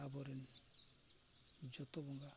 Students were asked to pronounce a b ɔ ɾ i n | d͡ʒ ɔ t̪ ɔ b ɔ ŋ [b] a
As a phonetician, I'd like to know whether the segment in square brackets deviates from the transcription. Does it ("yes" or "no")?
yes